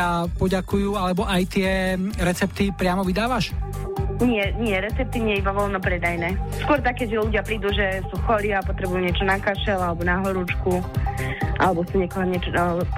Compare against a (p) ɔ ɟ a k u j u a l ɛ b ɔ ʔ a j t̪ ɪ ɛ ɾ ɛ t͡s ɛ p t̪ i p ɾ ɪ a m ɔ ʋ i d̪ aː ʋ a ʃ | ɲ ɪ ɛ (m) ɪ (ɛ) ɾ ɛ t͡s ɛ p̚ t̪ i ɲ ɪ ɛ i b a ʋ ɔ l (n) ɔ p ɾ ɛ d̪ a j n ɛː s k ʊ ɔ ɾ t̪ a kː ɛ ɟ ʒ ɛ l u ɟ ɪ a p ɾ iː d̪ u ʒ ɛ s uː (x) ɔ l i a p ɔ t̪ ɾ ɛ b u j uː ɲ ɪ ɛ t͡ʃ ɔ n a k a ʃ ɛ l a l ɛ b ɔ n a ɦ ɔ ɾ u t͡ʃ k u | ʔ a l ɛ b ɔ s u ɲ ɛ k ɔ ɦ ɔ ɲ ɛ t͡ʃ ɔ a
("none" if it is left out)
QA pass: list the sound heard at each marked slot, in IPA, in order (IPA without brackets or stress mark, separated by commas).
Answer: p, ɲ, ɛ, n, x